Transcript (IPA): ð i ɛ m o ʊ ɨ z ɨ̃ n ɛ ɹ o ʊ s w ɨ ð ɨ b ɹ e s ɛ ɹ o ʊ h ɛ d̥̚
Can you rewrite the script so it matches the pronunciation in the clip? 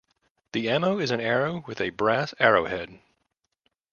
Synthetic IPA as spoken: ð i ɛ m o ʊ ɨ z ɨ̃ n ɛ ɹ o ʊ w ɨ ð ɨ b ɹ æ s ɛ ɹ o ʊ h ɛ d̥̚